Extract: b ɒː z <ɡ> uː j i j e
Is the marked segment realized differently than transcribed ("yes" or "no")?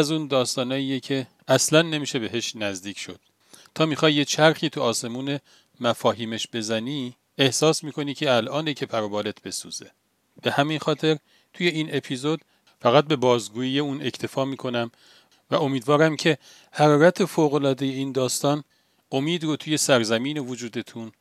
no